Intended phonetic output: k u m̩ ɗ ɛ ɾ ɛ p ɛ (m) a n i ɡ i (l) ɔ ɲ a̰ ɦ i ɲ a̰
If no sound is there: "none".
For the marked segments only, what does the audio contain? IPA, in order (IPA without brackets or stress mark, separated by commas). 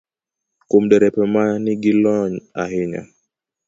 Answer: m, l